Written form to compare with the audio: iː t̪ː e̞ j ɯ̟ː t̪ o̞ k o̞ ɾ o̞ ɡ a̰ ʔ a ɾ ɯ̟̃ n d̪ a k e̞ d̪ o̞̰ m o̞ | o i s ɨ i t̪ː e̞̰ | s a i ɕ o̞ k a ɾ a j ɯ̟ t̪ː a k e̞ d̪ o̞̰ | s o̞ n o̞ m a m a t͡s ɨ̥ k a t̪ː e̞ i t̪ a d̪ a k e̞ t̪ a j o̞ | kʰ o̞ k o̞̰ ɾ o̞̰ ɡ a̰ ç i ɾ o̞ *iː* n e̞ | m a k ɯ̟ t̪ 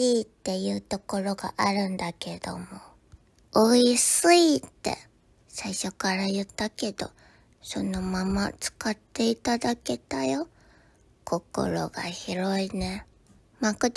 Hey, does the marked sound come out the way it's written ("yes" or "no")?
no